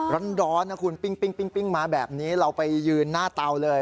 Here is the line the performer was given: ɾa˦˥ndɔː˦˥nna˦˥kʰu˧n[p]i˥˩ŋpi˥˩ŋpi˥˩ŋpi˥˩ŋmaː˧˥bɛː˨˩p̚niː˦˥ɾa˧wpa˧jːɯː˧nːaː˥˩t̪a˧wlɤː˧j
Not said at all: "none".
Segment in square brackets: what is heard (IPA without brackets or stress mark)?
p